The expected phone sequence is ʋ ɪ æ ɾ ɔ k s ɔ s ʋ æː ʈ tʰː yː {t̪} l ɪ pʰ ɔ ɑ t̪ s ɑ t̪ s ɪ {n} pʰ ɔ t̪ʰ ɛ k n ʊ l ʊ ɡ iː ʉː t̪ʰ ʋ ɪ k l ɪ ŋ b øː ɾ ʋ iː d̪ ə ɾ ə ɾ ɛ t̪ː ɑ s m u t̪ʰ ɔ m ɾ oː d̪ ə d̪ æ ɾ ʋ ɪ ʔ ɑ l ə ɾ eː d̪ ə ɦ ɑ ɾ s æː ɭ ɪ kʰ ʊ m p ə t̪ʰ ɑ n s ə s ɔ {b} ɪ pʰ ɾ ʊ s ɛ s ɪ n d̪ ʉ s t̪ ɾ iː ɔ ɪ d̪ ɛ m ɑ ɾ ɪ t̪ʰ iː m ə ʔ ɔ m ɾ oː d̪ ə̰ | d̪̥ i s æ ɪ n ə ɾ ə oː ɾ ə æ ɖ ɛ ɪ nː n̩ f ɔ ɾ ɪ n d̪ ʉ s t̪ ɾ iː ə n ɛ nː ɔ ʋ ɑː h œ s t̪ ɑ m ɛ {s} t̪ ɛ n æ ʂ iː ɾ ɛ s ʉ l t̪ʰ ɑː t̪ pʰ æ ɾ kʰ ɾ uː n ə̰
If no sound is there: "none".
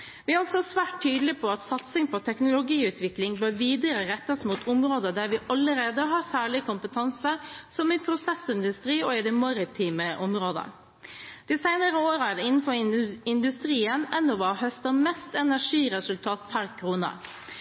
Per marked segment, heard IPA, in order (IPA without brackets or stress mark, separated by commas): d̪, ŋ, m, s